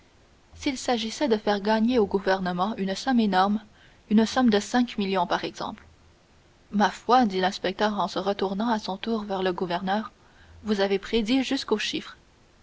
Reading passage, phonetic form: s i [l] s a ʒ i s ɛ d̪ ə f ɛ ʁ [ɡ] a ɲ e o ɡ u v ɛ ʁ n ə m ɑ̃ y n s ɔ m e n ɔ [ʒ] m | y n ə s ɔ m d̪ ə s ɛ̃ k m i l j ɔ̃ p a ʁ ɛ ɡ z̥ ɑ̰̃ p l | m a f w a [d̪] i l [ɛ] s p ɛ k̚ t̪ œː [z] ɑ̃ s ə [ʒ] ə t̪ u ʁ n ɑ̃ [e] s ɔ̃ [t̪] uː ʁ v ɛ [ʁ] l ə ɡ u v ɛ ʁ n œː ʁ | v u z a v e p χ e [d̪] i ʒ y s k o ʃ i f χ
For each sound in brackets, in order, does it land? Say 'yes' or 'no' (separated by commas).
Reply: yes, yes, no, yes, no, no, no, no, yes, yes, yes